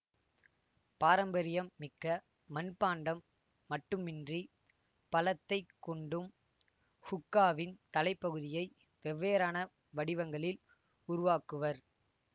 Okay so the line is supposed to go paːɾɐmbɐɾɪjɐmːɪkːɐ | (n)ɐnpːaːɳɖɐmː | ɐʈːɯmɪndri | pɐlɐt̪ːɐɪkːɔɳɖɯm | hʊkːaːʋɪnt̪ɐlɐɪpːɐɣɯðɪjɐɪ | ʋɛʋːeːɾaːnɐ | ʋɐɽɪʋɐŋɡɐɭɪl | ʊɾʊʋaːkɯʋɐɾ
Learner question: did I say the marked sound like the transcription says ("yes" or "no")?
no